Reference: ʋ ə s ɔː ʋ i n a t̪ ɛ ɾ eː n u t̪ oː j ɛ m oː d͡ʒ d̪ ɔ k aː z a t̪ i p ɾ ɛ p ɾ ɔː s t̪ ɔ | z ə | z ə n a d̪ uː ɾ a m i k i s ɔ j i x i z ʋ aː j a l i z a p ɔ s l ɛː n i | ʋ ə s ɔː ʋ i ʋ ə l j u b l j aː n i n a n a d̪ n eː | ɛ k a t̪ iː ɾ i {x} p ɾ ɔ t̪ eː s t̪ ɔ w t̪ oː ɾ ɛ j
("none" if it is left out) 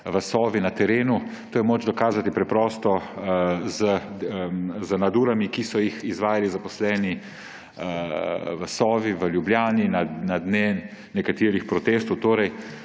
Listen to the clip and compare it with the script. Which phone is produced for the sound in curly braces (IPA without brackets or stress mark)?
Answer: x